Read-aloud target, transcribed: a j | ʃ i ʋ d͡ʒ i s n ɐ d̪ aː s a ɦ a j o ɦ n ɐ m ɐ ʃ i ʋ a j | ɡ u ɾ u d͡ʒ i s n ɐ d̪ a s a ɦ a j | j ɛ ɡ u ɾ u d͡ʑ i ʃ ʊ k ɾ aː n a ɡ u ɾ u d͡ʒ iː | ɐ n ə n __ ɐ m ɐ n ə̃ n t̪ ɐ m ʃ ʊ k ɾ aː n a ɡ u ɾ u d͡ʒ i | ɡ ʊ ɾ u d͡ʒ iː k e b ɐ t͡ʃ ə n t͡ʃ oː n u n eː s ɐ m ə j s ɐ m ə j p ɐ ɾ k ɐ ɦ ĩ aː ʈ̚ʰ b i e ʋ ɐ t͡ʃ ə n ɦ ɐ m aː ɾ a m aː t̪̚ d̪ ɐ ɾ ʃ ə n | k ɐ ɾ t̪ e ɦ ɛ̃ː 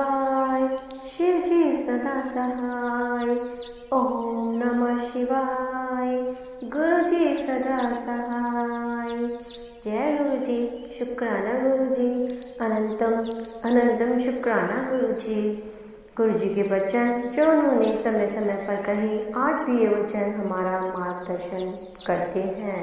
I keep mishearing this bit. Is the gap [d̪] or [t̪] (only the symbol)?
t̪